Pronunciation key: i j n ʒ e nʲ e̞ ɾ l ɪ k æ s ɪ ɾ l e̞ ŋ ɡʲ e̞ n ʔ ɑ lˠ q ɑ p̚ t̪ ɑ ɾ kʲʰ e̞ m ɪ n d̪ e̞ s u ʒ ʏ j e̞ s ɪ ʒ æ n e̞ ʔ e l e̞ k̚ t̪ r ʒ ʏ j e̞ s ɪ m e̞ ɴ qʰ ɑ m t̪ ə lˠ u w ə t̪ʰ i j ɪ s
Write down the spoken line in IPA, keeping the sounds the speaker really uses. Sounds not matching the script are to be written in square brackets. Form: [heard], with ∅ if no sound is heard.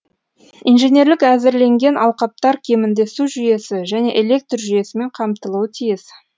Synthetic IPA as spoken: i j n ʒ e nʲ e̞ ɾ l ɪ k æ [z] ɪ ɾ l e̞ ŋ ɡʲ e̞ n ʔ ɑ lˠ q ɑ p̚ t̪ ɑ ɾ kʲʰ e̞ m ɪ n d̪ e̞ s u ʒ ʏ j e̞ s ɪ ʒ æ n e̞ ʔ e l e̞ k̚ t̪ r ʒ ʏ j e̞ s ɪ m e̞ ɴ qʰ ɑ m t̪ ə lˠ u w ə t̪ʰ i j ɪ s